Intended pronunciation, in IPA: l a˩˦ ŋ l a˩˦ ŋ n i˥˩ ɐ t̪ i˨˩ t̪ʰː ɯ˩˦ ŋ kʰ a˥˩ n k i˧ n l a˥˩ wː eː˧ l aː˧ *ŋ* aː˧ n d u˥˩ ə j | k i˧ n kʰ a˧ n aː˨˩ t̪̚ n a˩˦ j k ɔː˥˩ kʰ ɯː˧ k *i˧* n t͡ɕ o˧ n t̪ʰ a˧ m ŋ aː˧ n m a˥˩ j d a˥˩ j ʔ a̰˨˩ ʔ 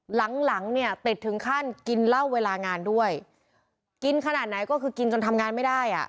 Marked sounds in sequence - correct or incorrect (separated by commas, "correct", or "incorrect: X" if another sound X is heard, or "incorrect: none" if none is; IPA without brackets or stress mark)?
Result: correct, correct